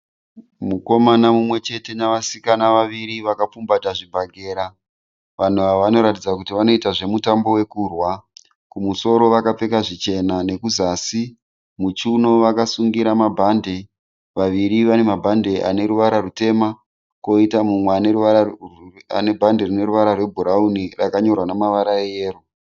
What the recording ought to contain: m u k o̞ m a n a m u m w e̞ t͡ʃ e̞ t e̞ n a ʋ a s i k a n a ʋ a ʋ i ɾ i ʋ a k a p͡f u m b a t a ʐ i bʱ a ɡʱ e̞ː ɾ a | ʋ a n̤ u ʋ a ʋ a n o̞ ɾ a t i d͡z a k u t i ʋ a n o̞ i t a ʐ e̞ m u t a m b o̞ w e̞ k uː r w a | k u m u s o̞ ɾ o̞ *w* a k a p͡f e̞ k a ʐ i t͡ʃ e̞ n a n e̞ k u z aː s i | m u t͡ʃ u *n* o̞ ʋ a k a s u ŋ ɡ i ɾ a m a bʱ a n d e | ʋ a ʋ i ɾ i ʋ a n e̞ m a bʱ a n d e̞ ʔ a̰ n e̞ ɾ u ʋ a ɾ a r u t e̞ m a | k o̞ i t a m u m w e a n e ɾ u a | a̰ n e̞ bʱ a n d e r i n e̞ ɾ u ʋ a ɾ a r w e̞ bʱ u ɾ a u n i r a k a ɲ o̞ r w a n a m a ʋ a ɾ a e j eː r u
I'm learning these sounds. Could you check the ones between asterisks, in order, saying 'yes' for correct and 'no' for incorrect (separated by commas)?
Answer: no, yes